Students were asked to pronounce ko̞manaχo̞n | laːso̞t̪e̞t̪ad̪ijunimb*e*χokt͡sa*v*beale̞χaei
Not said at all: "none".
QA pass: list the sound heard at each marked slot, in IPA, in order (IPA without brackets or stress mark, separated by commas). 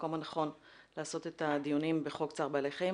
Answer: e, ʁ